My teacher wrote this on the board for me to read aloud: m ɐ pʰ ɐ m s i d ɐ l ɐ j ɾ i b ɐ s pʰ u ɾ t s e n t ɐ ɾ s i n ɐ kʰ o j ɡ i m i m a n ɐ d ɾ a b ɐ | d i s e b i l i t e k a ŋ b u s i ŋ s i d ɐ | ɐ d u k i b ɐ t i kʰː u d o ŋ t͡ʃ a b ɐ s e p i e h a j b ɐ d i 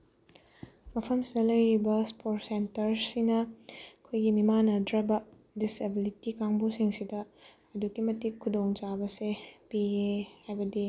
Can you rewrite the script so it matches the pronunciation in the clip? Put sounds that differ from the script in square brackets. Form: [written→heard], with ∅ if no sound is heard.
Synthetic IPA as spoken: m ɐ pʰ ɐ m s i d ɐ l ɐ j ɾ i b ɐ s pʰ [u→o] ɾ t s e n t ɐ ɾ s i n ɐ kʰ o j ɡ i m i m a n ɐ d ɾ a b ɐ | d i s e b i l i t [e→i] k a ŋ b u s i ŋ s i d ɐ | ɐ d u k i [b→m] ɐ t i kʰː u d o ŋ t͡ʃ a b ɐ s e p i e h a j b ɐ d i